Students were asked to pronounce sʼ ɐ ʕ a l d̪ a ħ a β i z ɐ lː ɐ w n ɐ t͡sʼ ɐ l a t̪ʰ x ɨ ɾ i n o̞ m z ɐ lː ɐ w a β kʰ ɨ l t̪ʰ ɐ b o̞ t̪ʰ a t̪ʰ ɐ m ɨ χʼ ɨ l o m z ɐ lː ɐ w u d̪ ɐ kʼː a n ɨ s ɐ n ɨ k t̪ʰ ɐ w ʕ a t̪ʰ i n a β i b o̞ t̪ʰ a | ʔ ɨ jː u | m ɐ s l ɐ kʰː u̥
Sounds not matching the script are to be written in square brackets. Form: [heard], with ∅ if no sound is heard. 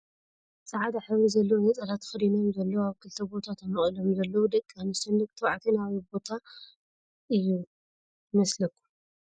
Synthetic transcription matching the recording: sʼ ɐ ʕ a [∅] d̪ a ħ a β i z ɐ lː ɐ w n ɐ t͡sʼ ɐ l a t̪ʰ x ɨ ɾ i n o̞ m z ɐ lː ɐ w a β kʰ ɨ l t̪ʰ ɐ b o̞ t̪ʰ a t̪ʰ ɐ m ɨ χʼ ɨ l o m z ɐ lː ɐ w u d̪ ɐ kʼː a n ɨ s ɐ n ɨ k t̪ʰ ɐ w ʕ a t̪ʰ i n a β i b o̞ t̪ʰ a | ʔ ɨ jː u | m ɐ s l ɐ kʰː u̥